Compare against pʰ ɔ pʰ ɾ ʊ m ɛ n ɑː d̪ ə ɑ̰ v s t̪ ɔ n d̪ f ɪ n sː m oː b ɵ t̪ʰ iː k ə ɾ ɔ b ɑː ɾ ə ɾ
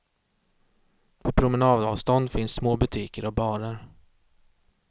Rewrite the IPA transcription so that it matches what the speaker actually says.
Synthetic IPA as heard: pʰ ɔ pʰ ɾ ʊ m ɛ n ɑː d̪ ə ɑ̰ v s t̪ ɔ n d̪ f ɪ n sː m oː b ɵ t̪ʰ iː k ə ɾ ɔ b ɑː ɾ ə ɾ